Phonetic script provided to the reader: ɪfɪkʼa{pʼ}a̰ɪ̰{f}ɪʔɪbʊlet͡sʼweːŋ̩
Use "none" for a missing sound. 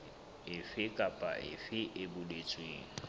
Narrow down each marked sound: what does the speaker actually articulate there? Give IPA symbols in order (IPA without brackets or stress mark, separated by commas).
pʼ, f